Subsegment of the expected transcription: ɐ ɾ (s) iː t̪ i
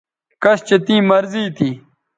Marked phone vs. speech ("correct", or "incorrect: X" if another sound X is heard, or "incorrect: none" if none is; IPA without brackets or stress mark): incorrect: z